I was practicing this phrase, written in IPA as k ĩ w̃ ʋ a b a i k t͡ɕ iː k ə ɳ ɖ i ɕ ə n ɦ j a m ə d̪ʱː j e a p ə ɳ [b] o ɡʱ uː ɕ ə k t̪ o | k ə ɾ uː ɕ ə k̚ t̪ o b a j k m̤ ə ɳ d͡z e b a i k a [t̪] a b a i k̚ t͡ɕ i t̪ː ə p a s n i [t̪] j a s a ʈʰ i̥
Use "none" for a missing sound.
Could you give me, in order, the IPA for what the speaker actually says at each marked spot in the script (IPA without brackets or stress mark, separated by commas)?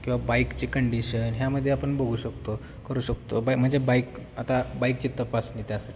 b, t̪, t̪